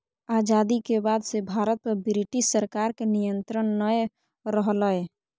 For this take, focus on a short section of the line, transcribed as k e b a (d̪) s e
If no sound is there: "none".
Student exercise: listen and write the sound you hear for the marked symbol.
d̪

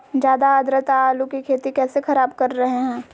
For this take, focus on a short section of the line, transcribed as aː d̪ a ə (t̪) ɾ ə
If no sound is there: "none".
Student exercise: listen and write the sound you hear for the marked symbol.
d̪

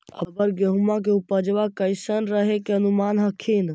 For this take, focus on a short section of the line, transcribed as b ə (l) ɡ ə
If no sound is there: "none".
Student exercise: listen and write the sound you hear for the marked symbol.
ɾ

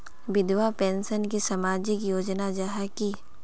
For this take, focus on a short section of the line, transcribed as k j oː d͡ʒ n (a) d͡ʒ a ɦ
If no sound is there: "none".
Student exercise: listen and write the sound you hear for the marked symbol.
a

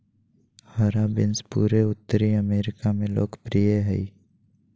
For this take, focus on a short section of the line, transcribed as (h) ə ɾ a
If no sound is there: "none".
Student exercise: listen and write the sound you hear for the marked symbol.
h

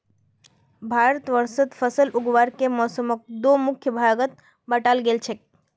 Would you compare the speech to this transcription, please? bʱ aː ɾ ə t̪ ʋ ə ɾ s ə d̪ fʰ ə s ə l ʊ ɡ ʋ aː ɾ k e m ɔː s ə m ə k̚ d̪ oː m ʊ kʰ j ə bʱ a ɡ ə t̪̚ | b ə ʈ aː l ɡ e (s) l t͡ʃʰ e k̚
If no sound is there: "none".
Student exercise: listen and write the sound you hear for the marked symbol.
none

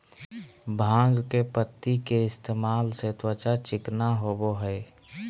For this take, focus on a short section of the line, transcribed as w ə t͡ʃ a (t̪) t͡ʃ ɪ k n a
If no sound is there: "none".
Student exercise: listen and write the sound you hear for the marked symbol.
none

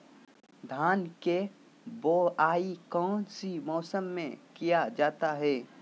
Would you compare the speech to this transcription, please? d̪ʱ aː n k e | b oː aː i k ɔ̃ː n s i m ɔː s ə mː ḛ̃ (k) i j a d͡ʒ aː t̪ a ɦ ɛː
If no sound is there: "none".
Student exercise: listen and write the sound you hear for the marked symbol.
k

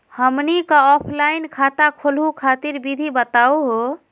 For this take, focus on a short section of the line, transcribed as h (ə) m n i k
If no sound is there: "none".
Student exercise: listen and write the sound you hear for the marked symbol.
ə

